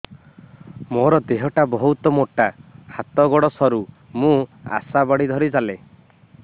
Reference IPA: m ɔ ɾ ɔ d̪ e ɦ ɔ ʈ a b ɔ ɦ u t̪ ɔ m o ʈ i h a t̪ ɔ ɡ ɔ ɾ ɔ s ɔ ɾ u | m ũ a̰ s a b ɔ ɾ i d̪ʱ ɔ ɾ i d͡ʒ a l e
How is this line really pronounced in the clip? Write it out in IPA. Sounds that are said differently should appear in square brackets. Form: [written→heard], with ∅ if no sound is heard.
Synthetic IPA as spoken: m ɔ ɾ ɔ d̪ e ɦ ɔ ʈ a b ɔ ɦ u t̪ ɔ m o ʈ [i→a] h a t̪ ɔ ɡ ɔ [ɾ→ɽ] ɔ s ɔ ɾ u | m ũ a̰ s a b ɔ [ɾ→ɽ] i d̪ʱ ɔ ɾ i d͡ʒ a l e